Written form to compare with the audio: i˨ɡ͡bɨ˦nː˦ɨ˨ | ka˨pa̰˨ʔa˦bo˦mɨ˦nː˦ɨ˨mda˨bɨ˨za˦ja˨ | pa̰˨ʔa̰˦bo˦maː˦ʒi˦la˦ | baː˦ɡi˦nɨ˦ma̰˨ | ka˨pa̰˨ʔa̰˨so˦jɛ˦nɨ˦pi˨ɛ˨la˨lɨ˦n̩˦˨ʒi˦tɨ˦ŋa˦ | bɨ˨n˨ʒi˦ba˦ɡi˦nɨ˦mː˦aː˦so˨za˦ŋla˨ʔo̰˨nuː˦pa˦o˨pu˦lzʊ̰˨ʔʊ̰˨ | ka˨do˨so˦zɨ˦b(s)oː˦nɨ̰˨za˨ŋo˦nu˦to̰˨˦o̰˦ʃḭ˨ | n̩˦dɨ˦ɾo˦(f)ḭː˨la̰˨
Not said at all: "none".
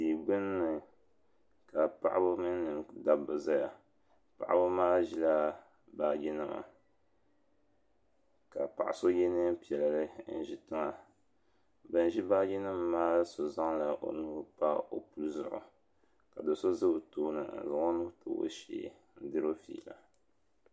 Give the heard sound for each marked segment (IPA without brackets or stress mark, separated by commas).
t, f